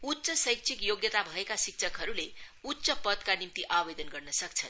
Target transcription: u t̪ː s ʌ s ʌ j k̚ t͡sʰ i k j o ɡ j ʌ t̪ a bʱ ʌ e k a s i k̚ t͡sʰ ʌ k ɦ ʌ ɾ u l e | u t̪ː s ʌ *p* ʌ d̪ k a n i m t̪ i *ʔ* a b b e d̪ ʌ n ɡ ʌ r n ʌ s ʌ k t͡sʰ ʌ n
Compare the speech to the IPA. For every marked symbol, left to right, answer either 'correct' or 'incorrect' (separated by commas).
correct, correct